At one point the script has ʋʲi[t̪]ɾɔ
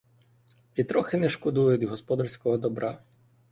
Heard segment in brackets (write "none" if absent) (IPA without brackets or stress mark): t̪